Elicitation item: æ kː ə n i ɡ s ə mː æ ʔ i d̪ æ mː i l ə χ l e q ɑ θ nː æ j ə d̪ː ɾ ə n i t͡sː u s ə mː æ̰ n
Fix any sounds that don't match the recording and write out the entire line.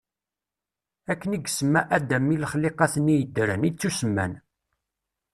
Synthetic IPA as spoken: æ kː ə n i ɡ s ə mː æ ʔ æ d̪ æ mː i l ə χ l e q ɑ θ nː i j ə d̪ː ɾ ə n i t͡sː u s ə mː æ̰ n